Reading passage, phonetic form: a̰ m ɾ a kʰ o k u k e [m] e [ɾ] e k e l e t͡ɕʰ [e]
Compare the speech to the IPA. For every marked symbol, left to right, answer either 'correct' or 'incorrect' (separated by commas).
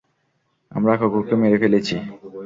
correct, correct, incorrect